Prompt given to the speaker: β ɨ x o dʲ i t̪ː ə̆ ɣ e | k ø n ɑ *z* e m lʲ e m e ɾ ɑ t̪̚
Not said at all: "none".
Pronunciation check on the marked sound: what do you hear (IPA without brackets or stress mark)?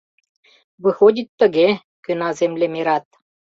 z